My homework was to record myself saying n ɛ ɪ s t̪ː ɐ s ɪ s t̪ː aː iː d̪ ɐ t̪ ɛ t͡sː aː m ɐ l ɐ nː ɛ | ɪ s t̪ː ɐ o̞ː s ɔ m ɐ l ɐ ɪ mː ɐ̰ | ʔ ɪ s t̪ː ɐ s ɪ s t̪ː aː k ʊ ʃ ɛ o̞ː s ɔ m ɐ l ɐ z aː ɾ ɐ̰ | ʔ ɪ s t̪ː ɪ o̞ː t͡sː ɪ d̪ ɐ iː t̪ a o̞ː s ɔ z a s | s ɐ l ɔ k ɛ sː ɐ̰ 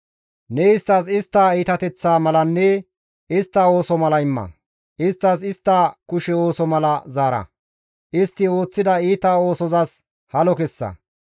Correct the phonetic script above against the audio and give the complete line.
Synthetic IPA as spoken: n ɛ ɪ s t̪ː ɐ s ɪ s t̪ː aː iː t̪ ɐ t̪ ɛ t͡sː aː m ɐ l ɐ nː ɛ | ɪ s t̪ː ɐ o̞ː s ɔ m ɐ l ɐ ɪ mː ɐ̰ | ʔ ɪ s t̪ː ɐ s ɪ s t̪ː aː k ʊ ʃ ɛ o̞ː s ɔ m ɐ l ɐ z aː ɾ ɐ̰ | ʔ ɪ s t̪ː ɪ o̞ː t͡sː ɪ d̪ ɐ iː t̪ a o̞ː s ɔ z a s | h ɐ l ɔ k ɛ sː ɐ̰